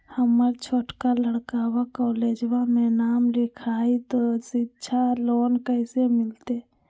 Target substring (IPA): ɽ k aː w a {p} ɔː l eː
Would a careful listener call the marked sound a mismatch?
yes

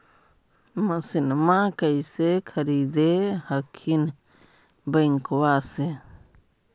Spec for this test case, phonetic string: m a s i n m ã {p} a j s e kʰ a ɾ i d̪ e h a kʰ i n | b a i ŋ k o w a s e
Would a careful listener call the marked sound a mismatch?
yes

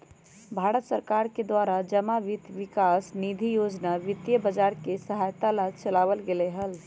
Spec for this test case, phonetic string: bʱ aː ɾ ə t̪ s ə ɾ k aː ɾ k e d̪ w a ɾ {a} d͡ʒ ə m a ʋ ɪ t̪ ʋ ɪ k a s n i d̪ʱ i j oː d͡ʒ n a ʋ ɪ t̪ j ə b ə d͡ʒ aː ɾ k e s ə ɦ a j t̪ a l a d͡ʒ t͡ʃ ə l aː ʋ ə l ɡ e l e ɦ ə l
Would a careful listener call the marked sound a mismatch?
no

